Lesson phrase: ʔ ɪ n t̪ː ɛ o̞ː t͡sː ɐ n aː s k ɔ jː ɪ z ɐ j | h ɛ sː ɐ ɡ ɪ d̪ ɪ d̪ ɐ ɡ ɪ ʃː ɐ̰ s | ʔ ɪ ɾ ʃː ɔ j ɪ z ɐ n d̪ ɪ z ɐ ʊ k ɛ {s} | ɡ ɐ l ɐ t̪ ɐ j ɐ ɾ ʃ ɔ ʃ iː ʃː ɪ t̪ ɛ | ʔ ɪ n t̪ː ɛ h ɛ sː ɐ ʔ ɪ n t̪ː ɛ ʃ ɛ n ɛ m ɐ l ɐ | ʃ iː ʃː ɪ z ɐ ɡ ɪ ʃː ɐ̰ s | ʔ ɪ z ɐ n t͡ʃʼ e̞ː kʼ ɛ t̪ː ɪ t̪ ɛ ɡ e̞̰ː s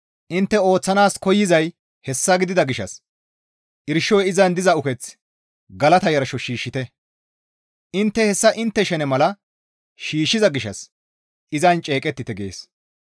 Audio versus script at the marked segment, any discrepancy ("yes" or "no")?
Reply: yes